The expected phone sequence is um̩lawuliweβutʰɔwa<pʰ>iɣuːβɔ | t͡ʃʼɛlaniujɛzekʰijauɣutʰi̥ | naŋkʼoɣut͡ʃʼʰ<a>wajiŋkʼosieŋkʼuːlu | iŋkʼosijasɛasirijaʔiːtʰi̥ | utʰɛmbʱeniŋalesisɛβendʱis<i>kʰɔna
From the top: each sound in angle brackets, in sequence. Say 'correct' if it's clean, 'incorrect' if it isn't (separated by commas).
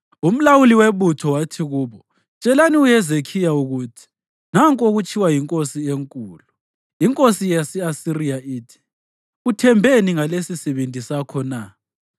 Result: incorrect, incorrect, incorrect